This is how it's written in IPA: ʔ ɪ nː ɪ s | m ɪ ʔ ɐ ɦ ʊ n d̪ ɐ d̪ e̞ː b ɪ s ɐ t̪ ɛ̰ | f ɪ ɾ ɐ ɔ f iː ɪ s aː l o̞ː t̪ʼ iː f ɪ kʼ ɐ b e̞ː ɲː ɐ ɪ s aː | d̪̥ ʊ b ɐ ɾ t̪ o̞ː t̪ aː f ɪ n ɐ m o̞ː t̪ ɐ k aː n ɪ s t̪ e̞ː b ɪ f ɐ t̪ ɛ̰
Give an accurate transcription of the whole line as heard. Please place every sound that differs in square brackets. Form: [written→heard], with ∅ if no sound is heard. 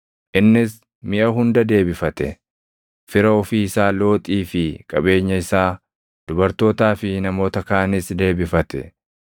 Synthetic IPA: ʔ ɪ nː ɪ s | m ɪ ʔ ɐ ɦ ʊ n d̪ ɐ d̪ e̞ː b ɪ [s→f] ɐ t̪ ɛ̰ | f ɪ ɾ ɐ ɔ f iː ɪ s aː l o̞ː t̪ʼ iː f ɪ kʼ ɐ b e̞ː ɲː ɐ ɪ s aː | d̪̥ ʊ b ɐ ɾ t̪ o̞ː t̪ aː f ɪ n ɐ m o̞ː t̪ ɐ k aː n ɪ s [t̪→d̪] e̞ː b ɪ f ɐ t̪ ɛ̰